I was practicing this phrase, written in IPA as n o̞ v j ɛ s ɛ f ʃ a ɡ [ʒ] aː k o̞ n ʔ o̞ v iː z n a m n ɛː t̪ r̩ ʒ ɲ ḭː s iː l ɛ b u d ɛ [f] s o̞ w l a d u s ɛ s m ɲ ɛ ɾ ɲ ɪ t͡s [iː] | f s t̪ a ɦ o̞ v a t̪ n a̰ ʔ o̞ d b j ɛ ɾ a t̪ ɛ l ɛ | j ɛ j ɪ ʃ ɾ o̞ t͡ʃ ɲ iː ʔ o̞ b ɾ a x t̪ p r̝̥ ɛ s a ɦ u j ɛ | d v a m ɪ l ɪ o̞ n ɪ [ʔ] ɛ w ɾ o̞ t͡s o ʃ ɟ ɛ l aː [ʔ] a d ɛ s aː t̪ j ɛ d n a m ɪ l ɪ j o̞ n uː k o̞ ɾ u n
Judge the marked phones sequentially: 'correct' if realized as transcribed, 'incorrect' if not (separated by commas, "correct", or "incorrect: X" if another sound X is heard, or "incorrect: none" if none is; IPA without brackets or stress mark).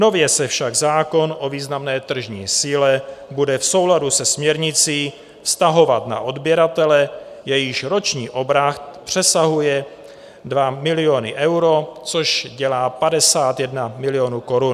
incorrect: z, correct, correct, correct, incorrect: p